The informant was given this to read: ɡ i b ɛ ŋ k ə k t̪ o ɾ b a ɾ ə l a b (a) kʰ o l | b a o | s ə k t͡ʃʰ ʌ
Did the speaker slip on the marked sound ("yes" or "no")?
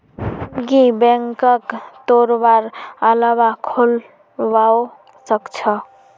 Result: no